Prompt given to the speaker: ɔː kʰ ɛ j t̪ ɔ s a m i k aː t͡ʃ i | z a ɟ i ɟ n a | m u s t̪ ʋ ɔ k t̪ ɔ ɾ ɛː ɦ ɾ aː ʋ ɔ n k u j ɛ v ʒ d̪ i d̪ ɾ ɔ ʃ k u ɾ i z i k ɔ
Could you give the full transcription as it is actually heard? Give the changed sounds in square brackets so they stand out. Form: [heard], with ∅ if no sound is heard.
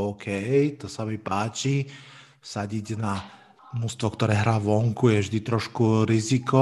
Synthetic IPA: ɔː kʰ ɛ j t̪ ɔ s a m i [p] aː t͡ʃ i | [s] a ɟ i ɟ n a | [n] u s t̪ ʋ ɔ k t̪ ɔ ɾ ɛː ɦ ɾ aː ʋ ɔ [ŋ] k u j ɛ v ʒ d̪ i [t̪] ɾ ɔ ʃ k u ɾ i z i k ɔ